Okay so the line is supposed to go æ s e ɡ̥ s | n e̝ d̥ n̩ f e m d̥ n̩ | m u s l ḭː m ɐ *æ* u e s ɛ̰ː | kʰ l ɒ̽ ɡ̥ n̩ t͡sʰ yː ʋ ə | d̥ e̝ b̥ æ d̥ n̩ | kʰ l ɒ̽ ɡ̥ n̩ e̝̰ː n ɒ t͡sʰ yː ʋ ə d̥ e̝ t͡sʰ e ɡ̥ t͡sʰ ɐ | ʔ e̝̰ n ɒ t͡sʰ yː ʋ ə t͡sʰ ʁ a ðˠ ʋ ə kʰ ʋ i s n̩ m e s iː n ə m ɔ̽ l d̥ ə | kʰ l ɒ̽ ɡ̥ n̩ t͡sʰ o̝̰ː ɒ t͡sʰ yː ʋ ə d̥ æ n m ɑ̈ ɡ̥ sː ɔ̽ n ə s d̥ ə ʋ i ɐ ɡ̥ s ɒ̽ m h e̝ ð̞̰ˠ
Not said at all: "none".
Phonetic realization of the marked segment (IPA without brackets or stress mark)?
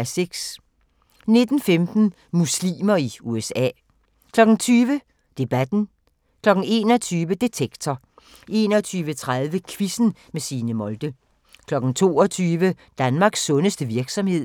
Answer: i